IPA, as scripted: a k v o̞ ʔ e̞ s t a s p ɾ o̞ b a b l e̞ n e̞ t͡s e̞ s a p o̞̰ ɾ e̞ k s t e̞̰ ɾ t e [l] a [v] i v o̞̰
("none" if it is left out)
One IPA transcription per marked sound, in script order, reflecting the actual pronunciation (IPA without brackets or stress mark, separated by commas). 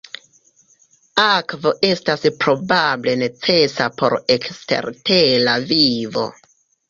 l, v